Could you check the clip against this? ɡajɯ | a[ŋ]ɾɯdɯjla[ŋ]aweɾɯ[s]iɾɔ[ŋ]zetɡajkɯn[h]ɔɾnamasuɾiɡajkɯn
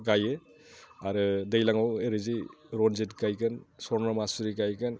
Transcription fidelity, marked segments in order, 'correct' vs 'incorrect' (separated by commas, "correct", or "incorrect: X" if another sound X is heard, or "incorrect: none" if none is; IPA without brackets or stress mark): incorrect: none, correct, incorrect: z, incorrect: n, incorrect: s